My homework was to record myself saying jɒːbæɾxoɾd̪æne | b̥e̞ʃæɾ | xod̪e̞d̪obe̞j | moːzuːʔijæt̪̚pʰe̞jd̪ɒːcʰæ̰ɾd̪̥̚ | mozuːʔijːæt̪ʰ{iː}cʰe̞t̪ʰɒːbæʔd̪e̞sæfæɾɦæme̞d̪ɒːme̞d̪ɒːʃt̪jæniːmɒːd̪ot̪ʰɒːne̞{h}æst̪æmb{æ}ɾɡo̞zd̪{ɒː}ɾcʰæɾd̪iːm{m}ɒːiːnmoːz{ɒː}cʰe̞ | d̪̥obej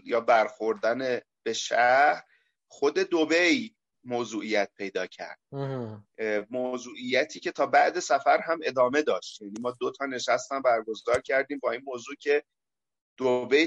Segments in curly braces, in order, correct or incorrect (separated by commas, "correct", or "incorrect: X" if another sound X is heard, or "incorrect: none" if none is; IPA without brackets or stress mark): correct, incorrect: ʃ, correct, correct, incorrect: b, incorrect: uː